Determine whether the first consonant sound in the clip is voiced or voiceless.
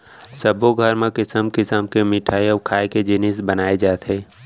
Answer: voiceless